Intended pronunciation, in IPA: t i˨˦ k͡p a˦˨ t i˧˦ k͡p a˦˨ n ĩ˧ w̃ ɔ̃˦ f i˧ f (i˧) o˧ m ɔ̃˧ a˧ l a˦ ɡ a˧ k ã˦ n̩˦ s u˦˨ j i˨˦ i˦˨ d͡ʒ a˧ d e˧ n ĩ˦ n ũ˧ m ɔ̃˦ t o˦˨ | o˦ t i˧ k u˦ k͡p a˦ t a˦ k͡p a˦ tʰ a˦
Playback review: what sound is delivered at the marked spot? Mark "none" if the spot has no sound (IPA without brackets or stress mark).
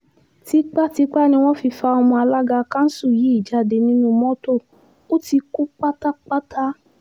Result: a˧